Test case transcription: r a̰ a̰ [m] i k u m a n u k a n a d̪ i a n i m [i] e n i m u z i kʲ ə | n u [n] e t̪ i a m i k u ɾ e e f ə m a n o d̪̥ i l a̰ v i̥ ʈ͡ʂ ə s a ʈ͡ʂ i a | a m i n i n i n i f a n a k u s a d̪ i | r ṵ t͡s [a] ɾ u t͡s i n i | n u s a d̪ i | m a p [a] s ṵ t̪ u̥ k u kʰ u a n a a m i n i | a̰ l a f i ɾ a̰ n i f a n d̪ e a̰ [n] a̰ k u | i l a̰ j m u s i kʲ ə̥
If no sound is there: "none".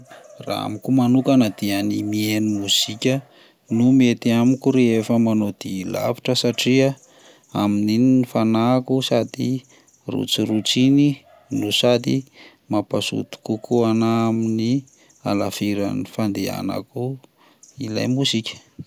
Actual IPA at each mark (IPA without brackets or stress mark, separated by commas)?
m, i, m, i, a, n